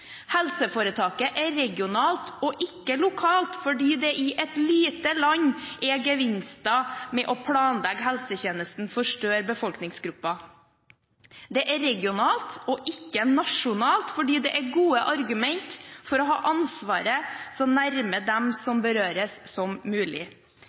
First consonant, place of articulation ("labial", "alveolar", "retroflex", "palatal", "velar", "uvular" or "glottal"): glottal